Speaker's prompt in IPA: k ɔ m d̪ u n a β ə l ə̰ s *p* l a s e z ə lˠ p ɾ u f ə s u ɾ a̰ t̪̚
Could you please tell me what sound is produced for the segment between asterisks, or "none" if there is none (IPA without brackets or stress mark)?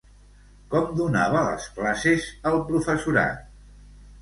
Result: k